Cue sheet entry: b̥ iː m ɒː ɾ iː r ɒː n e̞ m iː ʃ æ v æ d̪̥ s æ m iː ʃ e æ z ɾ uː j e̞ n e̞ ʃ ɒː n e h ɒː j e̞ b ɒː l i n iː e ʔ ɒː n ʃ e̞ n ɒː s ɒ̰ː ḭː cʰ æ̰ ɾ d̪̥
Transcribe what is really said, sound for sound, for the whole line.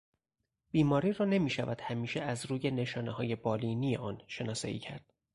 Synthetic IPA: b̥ iː m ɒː ɾ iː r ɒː n e̞ m iː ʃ æ v æ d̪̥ h æ m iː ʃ e æ z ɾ uː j e̞ n e̞ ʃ ɒː n e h ɒː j e̞ b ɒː l i n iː e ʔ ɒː n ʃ e̞ n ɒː s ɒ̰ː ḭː cʰ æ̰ ɾ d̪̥